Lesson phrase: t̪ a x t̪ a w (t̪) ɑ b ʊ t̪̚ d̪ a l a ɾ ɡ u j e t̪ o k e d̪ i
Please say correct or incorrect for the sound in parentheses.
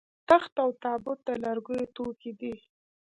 correct